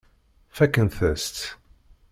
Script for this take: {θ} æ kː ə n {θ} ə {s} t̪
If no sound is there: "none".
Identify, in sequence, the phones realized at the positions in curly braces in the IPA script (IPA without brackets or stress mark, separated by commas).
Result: f, θ, s